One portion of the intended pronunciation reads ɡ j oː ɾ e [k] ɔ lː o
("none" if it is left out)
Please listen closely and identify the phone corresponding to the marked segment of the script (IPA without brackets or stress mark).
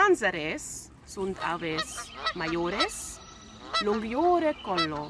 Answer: k